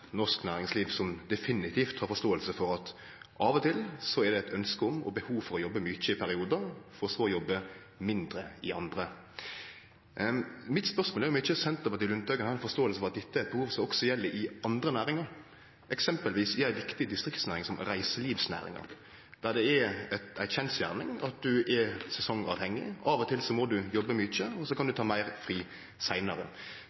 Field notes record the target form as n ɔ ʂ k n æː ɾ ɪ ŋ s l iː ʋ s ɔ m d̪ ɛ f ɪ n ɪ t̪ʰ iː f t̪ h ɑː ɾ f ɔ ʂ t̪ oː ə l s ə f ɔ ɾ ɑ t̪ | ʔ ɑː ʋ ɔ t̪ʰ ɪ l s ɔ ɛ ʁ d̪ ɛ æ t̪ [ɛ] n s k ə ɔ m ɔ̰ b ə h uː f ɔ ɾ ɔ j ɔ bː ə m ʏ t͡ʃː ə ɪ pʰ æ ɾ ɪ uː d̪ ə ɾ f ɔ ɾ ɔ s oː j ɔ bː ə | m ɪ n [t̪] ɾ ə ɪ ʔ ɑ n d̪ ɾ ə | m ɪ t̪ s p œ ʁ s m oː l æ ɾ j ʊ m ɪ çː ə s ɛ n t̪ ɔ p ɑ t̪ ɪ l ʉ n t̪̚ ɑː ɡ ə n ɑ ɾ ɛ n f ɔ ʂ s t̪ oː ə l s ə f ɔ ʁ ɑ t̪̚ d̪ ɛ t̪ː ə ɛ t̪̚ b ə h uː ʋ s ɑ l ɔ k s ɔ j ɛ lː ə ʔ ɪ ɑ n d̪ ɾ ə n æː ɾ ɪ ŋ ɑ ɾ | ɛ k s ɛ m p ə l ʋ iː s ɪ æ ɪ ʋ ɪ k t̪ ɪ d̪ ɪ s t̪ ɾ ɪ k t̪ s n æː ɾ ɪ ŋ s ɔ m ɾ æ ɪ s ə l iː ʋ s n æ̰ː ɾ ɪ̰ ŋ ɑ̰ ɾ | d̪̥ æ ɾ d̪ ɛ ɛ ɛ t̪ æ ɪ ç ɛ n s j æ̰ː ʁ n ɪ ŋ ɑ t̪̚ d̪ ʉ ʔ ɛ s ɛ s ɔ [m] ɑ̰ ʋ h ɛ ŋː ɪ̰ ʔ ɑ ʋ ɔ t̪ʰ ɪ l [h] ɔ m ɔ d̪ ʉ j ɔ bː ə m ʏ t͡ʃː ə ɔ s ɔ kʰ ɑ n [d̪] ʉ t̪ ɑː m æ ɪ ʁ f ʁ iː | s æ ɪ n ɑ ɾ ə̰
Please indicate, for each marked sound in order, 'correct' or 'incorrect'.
incorrect: œ, incorrect: d̪, incorrect: ŋ, incorrect: s, correct

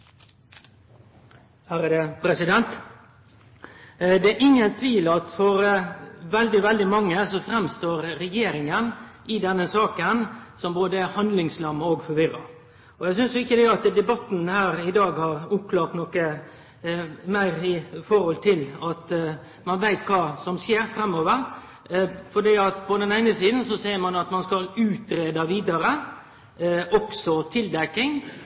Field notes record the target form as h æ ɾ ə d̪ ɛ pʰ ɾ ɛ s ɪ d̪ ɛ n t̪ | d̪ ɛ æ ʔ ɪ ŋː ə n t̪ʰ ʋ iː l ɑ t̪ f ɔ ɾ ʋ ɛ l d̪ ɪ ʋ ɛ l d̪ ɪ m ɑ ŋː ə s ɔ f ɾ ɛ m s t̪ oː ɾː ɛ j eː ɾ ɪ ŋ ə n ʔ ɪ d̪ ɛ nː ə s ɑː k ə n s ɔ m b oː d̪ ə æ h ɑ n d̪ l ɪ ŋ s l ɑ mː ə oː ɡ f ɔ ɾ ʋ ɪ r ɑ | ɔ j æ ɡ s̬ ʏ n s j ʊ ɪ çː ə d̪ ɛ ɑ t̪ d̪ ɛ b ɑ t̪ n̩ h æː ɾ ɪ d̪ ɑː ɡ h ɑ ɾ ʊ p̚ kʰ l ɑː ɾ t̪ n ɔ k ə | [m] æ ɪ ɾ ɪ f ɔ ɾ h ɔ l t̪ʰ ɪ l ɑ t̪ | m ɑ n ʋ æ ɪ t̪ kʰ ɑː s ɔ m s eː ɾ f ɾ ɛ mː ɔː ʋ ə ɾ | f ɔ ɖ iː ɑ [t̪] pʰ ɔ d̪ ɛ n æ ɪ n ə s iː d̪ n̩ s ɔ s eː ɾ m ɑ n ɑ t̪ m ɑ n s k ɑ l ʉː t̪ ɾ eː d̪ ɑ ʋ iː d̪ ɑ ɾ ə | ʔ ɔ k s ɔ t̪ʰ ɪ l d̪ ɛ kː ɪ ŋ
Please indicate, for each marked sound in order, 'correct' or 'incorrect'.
correct, correct

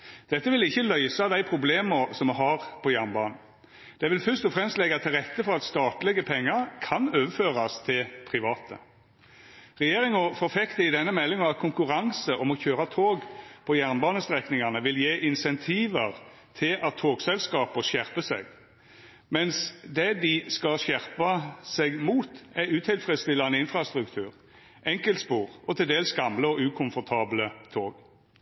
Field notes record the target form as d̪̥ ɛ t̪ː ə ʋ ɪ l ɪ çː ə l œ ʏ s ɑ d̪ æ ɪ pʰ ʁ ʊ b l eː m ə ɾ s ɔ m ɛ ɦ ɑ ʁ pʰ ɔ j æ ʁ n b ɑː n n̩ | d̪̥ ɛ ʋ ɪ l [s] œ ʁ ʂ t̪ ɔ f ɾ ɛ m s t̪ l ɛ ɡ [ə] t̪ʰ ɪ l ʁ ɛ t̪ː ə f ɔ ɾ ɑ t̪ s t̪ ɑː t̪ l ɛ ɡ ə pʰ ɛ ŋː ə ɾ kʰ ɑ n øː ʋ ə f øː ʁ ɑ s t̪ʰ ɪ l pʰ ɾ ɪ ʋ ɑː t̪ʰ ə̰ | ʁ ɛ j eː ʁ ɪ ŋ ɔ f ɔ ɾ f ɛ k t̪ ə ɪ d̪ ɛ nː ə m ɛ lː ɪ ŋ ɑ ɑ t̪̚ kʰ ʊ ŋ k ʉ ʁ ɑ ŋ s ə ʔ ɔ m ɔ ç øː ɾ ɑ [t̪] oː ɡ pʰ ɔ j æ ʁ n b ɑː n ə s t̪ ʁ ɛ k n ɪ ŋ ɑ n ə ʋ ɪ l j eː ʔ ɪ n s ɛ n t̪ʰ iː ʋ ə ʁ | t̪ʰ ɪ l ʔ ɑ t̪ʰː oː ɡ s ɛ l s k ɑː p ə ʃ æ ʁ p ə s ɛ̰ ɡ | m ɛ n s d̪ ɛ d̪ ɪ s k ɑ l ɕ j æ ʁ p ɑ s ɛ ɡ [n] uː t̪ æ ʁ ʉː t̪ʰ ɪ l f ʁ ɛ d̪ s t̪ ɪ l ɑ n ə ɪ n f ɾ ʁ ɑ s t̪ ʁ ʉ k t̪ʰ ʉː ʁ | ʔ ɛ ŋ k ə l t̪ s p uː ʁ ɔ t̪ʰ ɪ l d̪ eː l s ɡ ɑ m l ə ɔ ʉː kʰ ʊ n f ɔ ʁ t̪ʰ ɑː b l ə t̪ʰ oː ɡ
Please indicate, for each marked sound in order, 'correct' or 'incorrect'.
incorrect: f, incorrect: ɑ, incorrect: t̪ʰ, incorrect: m

